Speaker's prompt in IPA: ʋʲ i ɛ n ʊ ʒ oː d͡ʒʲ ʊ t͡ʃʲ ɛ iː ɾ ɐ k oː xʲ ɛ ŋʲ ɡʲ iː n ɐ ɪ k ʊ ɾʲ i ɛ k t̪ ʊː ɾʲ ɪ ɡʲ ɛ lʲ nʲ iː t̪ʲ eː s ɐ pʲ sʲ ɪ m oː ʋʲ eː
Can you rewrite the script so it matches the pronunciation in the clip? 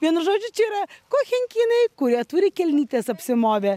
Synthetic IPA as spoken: ʋʲ i ɛ n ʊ ʒ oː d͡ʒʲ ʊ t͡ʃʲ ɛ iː ɾ ɐ k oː xʲ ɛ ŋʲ kʲ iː n ɐ ɪ k ʊ ɾʲ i ɛ t̪ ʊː ɾʲ ɪ kʲ ɛ lʲ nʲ iː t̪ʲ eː s ɐ pʲ sʲ ɪ m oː ʋʲ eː

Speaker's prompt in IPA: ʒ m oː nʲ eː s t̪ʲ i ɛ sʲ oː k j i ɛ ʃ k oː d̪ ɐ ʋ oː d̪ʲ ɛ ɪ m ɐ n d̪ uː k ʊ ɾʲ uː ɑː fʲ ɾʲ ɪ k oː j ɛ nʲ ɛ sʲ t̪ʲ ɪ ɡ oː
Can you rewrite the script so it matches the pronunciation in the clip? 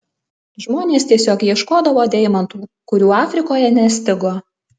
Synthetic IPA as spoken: ʒ m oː nʲ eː s t̪ʲ i ɛ sʲ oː k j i ɛ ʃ k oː d̪ ɐ ʋ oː d̪ʲ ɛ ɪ m ɐ n t̪ uː k ʊ ɾʲ uː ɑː fʲ ɾʲ ɪ k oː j ɛ nʲ ɛ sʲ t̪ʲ ɪ ɡ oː

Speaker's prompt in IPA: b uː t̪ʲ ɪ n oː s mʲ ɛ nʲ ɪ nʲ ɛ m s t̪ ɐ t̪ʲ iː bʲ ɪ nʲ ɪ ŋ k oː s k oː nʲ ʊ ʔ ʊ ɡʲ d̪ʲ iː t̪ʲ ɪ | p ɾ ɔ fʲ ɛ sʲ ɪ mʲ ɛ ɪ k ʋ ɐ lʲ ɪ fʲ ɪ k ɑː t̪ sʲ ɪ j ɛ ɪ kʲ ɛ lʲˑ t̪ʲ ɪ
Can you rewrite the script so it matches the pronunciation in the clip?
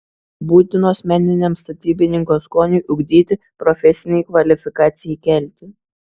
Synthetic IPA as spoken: b uː t̪ʲ ɪ n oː s mʲ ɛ nʲ ɪ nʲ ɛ m s t̪ ɐ t̪ʲ iː bʲ ɪ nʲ ɪ ŋ k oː s k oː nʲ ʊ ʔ ʊ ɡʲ d̪ʲ iː t̪ʲ ɪ | p ɾ ɔ fʲ ɛ sʲ ɪ nʲ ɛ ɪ k ʋ ɐ lʲ ɪ fʲ ɪ k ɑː t̪ sʲ ɪ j ɛ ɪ kʲ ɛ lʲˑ t̪ʲ ɪ

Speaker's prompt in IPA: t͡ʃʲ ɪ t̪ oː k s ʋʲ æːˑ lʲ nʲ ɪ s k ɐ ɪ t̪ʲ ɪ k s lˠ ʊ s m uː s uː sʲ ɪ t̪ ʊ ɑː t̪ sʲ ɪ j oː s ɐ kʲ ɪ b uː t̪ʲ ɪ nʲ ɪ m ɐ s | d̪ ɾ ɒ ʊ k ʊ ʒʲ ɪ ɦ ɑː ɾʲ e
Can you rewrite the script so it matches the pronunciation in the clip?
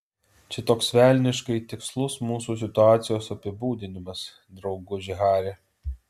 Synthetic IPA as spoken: t͡ʃʲ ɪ t̪ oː k s ʋʲ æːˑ lʲ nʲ ɪ ʃ k ɐ ɪ t̪ʲ ɪ k s lˠ ʊ s m uː s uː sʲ ɪ t̪ ʊ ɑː t̪ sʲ ɪ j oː s ɐ pʲ ɪ b uː d̪ʲ ɪ nʲ ɪ m ɐ s | d̪ ɾ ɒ ʊ ɡ ʊ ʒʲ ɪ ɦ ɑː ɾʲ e

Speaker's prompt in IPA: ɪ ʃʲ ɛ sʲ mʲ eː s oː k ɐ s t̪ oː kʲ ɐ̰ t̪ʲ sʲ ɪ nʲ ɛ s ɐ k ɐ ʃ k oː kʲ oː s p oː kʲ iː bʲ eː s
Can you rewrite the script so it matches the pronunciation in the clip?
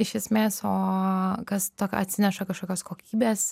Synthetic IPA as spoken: ɪ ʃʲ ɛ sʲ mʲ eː s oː k ɐ s t̪ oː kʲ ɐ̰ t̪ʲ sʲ ɪ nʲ ɛ ʃ ɐ k ɐ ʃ k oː kʲ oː s k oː kʲ iː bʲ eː s

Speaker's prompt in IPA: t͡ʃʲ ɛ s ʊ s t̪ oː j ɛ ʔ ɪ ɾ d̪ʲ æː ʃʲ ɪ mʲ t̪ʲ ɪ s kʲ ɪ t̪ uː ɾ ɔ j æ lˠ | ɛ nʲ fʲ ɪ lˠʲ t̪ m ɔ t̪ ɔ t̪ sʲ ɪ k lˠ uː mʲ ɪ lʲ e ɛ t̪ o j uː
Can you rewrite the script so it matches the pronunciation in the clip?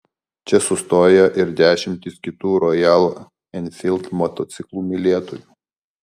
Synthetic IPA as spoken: t͡ʃʲ ɛ s ʊ s t̪ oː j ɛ ʔ ɪ ɾ d̪ʲ æː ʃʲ ɪ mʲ t̪ʲ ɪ s kʲ ɪ t̪ uː ɾ ɔ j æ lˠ | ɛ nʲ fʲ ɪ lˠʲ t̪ m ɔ t̪ ɔ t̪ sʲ ɪ k lˠ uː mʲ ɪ lʲ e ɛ t̪ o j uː

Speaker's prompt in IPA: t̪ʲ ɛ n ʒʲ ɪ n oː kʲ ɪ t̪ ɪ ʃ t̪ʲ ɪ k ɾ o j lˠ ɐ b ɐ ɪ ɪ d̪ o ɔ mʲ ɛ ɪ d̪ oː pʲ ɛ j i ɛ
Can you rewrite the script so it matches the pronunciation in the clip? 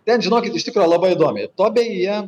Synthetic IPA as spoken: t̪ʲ ɛ n ʒʲ ɪ n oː kʲ ɪ t̪ ɪ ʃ t̪ʲ ɪ k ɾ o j lˠ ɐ b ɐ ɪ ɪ d̪ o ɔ mʲ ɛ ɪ t̪ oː bʲ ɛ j i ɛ

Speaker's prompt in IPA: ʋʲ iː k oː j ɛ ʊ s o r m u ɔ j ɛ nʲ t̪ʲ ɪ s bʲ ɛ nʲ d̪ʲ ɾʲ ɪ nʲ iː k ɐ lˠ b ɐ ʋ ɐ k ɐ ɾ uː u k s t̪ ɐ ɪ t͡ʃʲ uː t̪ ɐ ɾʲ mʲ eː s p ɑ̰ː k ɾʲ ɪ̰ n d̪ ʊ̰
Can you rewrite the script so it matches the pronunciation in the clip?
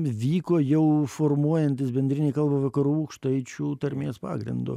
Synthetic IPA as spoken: ʋʲ iː k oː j ɛ ʊ f o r m u ɔ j ɛ nʲ t̪ʲ ɪ s bʲ ɛ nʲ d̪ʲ ɾʲ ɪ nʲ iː k ɐ lˠ b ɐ ʋ ɐ k ɐ ɾ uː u k ʃ t̪ ɐ ɪ t͡ʃʲ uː t̪ ɐ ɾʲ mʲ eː s p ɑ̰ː ɡ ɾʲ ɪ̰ n d̪ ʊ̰

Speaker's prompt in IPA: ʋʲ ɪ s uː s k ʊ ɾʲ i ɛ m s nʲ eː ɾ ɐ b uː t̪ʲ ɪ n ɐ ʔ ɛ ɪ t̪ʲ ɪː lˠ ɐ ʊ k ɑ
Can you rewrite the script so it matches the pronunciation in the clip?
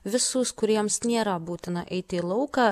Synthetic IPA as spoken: ʋʲ ɪ s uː s k ʊ ɾʲ i ɛ m s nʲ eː ɾ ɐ b uː t̪ʲ ɪ n ɐ ʔ ɛ ɪ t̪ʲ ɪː lˠ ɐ ʊ k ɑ

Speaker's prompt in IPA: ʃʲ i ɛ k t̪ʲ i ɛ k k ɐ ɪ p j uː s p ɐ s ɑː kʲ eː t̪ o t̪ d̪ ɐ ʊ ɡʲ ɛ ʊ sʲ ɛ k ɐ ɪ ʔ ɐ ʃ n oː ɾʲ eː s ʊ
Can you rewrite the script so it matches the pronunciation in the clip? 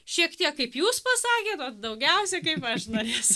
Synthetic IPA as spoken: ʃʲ i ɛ k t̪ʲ i ɛ k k ɐ ɪ p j uː s p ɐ s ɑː kʲ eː t̪ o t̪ d̪ ɐ ʊ ɡʲ ɛ ʊ sʲ ɛ k ɐ ɪ p ɐ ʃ n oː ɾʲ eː s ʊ

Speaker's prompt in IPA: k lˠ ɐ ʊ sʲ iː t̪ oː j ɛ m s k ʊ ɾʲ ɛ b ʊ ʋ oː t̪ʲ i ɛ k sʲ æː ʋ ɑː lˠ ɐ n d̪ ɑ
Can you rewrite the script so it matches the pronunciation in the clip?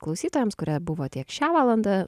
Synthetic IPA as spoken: k lˠ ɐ ʊ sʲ iː t̪ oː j ɛ m s k ʊ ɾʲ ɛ b ʊ ʋ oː t̪ʲ i ɛ k ʃʲ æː ʋ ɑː lˠ ɐ n d̪ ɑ

